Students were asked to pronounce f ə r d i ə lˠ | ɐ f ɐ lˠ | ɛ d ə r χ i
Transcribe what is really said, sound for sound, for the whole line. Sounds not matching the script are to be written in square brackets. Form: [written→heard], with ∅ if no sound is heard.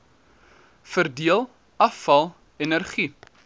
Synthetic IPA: f ə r d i ə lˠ | ɐ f ɐ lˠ | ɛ [d→n] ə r χ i